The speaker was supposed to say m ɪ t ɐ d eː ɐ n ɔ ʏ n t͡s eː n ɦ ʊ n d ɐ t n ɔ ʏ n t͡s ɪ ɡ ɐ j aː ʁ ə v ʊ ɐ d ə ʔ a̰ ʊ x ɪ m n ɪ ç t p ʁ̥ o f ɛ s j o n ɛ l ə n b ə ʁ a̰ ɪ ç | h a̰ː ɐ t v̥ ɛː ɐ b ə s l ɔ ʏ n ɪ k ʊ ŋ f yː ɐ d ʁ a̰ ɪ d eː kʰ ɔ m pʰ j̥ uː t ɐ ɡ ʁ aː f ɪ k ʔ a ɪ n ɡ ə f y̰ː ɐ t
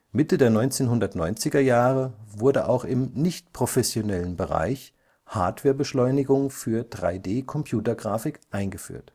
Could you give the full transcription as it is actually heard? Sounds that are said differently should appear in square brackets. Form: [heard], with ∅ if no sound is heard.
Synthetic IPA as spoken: m ɪ t [ə] d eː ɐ n ɔ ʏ n t͡s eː n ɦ ʊ n d ɐ t n ɔ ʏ n t͡s ɪ ɡ ɐ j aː ʁ ə v ʊ ɐ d ə ʔ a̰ ʊ x ɪ m n ɪ ç t p ʁ̥ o f ɛ s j o n ɛ l ə n b ə ʁ a̰ ɪ ç | h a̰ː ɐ t v̥ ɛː ɐ b ə [ʃ] l ɔ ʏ n ɪ [ɡ] ʊ ŋ f yː ɐ d ʁ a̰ ɪ d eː kʰ ɔ m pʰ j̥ uː t ɐ ɡ ʁ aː f ɪ k ʔ a ɪ n ɡ ə f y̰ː ɐ t